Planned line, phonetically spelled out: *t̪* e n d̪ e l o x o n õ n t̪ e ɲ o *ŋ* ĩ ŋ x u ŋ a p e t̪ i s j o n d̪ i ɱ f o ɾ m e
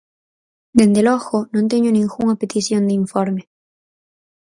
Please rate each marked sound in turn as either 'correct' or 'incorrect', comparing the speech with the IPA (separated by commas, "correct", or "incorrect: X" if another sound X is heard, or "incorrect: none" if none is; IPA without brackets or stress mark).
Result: incorrect: d̪, incorrect: n